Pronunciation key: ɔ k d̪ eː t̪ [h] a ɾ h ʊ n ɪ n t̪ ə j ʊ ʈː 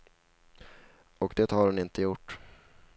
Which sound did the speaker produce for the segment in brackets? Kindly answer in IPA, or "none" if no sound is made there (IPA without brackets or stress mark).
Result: h